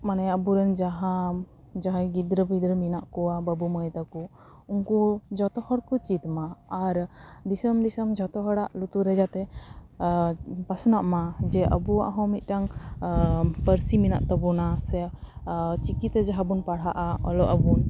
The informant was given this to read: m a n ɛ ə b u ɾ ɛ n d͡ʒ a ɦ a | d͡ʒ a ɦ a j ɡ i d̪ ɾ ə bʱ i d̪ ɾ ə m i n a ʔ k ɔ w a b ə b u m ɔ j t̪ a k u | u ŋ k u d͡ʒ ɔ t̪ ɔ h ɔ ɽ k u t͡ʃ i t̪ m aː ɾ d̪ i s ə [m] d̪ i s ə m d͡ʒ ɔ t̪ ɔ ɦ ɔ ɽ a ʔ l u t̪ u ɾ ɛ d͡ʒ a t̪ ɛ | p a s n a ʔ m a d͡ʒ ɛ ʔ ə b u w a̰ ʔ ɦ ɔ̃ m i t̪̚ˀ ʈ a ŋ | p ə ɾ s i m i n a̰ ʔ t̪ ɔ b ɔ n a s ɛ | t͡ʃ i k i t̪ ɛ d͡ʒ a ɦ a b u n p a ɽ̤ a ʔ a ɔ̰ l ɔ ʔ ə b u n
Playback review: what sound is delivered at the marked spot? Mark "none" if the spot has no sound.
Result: m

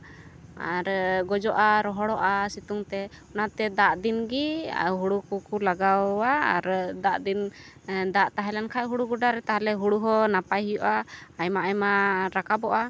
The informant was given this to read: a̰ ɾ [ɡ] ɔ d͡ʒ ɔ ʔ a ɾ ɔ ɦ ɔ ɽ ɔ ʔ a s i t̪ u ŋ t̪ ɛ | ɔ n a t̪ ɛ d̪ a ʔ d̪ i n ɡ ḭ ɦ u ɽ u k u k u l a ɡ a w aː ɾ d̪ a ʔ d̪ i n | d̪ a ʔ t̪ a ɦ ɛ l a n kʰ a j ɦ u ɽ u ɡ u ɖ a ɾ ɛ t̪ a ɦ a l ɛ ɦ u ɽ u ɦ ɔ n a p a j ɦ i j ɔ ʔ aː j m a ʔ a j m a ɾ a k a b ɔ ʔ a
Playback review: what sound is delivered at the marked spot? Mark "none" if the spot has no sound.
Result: ɡ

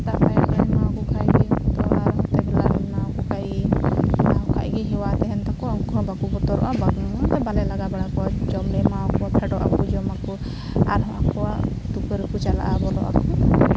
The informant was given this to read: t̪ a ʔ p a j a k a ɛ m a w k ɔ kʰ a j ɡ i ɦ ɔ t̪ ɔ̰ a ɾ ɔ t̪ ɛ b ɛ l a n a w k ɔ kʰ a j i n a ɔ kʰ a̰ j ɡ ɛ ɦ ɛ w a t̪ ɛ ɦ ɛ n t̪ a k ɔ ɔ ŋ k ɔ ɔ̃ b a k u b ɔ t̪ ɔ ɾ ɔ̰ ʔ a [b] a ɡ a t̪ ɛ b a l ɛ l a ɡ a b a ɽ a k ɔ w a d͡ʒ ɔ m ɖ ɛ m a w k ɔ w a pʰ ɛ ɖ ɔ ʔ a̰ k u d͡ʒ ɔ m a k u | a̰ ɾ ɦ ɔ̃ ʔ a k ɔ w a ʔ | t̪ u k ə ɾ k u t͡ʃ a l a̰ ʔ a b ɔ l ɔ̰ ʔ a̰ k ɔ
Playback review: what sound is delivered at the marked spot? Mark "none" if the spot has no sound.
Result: b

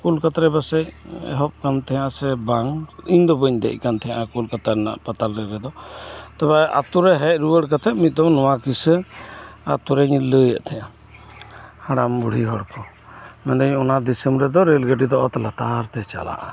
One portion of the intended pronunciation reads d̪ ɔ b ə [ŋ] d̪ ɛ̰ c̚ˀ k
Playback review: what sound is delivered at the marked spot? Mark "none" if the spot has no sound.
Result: ɲ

